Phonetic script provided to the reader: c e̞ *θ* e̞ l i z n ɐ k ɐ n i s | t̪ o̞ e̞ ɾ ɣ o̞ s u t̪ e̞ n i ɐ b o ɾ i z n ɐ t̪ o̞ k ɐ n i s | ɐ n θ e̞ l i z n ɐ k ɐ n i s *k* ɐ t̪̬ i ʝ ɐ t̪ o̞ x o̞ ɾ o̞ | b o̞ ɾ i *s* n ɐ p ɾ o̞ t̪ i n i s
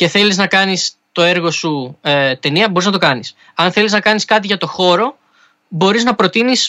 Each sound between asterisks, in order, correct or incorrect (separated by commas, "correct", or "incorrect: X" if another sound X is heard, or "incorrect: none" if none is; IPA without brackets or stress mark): correct, correct, incorrect: z